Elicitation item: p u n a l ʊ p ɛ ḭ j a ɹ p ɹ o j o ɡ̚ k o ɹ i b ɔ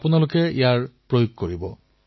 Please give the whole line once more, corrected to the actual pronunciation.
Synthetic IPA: p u n a l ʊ k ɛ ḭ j a ɹ p ɹ o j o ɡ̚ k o ɹ i b ɔ